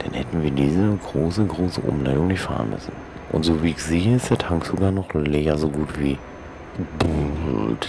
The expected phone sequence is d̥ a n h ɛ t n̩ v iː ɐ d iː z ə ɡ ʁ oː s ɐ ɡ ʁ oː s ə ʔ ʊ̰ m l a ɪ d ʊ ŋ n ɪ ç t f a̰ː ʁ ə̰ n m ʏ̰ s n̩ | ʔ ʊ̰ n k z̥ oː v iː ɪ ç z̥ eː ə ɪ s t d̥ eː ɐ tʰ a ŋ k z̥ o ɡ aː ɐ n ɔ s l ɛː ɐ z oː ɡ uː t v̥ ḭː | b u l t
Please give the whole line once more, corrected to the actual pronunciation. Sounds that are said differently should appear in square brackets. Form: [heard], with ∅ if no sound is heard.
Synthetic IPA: d̥ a n h ɛ t n̩ v iː ɐ d iː z ə ɡ ʁ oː s [ə] ɡ ʁ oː s ə ʔ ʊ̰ m l a ɪ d ʊ ŋ n ɪ ç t f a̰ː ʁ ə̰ n m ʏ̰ s n̩ | ʔ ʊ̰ n [t] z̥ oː v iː ɪ ç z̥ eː ə ɪ s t d̥ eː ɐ tʰ a ŋ k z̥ o ɡ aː ɐ n ɔ [χ] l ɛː ɐ z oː ɡ uː t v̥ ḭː | b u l t